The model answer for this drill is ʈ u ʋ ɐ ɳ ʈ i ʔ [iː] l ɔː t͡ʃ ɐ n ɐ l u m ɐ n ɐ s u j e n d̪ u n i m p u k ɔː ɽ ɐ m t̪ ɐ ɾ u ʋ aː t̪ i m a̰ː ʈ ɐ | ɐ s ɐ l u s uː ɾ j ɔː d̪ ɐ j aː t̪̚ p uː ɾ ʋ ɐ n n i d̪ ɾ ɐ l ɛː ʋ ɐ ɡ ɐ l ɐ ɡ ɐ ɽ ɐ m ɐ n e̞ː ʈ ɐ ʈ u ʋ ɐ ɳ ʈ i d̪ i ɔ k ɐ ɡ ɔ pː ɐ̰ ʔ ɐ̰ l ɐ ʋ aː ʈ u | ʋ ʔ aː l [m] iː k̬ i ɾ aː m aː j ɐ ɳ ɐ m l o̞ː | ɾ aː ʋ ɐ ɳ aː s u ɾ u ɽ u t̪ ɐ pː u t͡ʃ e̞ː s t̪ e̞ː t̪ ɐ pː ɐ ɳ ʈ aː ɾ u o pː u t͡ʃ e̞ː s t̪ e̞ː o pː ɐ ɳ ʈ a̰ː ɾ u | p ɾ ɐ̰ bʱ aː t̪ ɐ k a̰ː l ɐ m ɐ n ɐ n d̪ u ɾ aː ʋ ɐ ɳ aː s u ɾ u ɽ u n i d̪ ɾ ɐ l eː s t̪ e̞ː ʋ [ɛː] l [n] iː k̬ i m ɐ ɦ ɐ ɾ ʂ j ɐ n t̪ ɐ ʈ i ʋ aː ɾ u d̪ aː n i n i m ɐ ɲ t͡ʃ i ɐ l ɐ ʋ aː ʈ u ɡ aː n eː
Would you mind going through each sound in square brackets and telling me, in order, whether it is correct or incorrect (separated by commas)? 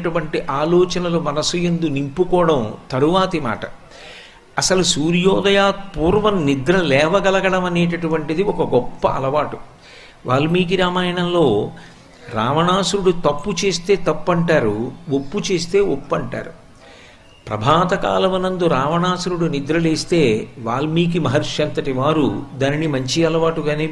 incorrect, correct, incorrect, incorrect